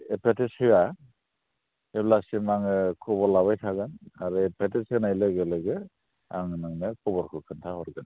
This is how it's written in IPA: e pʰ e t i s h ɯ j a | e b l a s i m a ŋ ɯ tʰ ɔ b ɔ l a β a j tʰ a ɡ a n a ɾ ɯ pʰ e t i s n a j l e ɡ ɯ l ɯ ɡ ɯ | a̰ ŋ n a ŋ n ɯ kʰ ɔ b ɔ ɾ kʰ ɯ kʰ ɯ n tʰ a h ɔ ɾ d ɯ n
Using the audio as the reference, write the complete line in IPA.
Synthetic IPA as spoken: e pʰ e t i s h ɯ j a | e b l a s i m a ŋ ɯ kʰ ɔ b ɔ l a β a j tʰ a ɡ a n a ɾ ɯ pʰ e t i s n a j l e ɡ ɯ l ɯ ɡ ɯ | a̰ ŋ n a ŋ n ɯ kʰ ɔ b ɔ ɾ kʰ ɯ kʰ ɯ n tʰ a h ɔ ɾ ɡ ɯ n